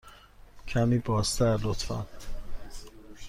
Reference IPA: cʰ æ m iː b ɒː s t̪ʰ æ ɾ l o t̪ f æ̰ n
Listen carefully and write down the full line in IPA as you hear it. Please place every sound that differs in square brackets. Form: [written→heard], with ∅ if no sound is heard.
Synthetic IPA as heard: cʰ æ m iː b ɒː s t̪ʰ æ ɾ l o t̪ f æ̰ n